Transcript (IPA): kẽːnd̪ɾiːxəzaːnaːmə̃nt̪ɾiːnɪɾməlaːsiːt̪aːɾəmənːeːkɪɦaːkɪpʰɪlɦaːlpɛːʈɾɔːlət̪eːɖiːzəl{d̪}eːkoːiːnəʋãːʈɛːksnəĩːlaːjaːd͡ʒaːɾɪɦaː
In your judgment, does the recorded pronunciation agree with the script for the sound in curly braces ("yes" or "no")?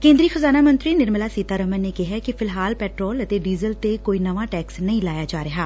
no